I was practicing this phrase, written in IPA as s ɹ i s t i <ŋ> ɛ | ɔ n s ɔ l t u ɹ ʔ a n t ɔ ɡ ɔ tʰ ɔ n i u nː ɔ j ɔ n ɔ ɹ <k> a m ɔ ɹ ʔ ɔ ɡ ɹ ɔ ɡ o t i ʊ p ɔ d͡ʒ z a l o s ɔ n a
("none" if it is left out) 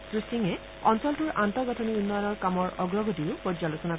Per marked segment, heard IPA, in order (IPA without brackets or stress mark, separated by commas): ŋ, k